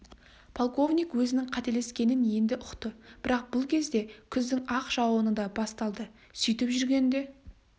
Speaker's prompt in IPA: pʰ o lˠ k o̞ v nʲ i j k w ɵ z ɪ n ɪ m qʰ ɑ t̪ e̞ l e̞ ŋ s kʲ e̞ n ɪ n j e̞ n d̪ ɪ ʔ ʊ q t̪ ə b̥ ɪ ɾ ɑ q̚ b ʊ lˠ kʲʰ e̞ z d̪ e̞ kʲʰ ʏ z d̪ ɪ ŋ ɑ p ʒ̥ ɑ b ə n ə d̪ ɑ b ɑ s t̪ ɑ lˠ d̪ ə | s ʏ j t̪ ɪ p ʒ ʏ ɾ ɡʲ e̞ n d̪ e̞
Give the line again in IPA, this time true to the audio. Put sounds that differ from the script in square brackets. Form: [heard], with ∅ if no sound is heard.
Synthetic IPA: pʰ o lˠ k o̞ v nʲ i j k w ɵ z ɪ n ɪ [ŋ] qʰ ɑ t̪ e̞ l e̞ [∅] s kʲ e̞ n ɪ n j e̞ n d̪ ɪ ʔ ʊ q t̪ ə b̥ ɪ ɾ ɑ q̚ b ʊ lˠ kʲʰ e̞ z d̪ e̞ kʲʰ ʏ z d̪ ɪ ŋ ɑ [q] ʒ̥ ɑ [w] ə n ə d̪ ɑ b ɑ s t̪ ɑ lˠ d̪ ə | s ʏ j t̪ ɪ p ʒ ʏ ɾ ɡʲ e̞ n d̪ e̞